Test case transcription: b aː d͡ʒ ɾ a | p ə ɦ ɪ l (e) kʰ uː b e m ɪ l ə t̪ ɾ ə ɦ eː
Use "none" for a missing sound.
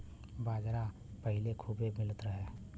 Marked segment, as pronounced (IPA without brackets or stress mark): e